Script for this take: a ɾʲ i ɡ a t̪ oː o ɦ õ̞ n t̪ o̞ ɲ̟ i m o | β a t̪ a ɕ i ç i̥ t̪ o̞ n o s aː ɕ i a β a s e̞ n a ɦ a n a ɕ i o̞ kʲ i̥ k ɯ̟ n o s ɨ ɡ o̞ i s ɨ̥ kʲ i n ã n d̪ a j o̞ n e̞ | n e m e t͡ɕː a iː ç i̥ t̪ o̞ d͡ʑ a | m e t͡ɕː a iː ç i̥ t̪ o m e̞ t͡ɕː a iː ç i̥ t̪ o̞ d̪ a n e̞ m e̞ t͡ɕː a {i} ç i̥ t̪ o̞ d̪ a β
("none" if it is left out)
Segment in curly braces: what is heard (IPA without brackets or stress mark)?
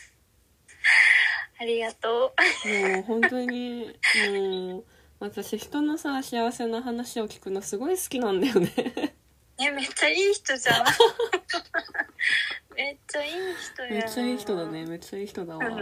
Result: iː